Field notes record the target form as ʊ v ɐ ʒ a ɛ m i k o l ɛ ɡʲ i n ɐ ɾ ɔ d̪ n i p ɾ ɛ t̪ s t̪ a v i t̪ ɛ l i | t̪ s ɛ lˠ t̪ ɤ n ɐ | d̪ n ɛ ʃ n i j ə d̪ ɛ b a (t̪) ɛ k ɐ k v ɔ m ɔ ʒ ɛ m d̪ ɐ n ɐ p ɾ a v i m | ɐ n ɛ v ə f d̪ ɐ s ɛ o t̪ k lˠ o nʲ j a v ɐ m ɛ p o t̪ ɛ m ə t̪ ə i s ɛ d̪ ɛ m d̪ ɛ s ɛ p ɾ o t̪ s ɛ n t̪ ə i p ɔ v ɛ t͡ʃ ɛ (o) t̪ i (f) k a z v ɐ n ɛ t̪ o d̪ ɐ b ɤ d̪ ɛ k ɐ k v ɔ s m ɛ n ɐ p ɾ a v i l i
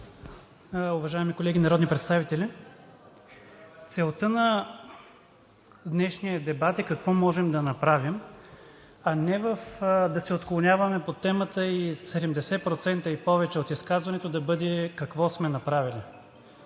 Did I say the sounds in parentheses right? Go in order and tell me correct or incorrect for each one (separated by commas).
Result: correct, correct, incorrect